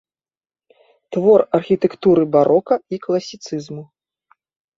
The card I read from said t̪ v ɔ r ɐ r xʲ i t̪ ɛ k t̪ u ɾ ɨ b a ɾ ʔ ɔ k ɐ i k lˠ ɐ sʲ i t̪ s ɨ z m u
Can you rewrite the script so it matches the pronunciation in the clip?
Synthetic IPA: t̪ v ɔ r ɐ r xʲ i t̪ ɛ k t̪ u ɾ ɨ b a ɾ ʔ ɔ k ɐ i k lˠ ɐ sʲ i t̪ s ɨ z m u

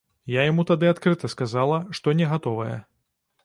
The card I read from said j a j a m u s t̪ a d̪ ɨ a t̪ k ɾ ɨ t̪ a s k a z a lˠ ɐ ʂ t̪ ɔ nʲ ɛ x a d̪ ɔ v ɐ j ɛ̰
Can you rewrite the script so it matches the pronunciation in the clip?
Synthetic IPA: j a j a m u t̪ a d̪ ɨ a t̪ k ɾ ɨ t̪ ɐ s k a z a lˠ ɐ ʂ t̪ ɔ nʲ ɛ ɣ a t̪ ɔ v ɐ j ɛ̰

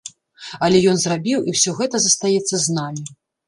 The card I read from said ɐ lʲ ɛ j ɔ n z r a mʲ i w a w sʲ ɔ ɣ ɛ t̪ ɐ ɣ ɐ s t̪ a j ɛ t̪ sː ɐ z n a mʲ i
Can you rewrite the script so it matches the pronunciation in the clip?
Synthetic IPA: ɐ lʲ ɛ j ɔ n z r a bʲ i w i w sʲ ɔ ɣ ɛ t̪ ɐ z ɐ s t̪ a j ɛ t̪ sː ɐ z n a mʲ i

